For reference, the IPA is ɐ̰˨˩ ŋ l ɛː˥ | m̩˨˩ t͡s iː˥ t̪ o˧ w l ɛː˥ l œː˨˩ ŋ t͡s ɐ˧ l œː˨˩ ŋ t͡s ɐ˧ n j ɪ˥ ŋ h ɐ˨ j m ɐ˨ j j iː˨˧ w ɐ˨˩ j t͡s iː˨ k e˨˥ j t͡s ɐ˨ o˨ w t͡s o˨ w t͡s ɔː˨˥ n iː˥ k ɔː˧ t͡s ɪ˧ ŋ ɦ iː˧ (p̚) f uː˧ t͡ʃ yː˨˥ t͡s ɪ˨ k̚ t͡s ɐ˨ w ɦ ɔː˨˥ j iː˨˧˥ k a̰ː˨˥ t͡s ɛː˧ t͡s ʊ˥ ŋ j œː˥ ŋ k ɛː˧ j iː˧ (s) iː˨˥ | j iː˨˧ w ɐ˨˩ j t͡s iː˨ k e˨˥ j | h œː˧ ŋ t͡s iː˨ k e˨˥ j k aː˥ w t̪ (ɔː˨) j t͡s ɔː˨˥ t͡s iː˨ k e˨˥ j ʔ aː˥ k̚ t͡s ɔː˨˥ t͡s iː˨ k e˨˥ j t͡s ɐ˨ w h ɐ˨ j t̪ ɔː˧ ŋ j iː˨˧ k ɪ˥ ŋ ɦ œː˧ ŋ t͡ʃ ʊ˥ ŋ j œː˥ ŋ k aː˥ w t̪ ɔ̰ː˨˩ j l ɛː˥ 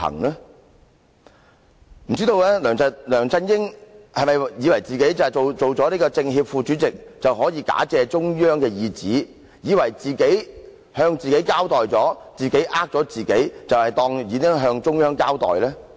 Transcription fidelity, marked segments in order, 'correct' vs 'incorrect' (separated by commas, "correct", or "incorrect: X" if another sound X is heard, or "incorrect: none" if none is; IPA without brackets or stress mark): correct, incorrect: t͡s, correct